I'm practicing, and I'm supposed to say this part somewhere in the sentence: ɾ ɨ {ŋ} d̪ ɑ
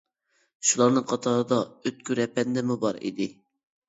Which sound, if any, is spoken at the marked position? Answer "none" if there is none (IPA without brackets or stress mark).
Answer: none